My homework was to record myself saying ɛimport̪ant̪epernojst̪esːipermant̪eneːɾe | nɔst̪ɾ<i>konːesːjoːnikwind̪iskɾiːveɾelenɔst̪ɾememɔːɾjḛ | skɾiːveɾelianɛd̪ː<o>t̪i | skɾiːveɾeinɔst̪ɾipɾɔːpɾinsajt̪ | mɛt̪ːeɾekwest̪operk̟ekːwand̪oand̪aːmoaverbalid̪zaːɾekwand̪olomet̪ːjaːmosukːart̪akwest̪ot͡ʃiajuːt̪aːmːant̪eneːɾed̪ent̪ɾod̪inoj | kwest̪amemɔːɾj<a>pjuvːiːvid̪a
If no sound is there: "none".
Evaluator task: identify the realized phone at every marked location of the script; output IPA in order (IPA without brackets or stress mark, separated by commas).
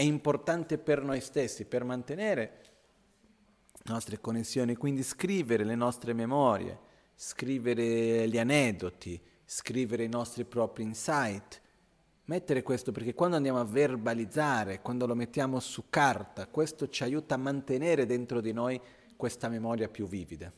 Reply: e, o, a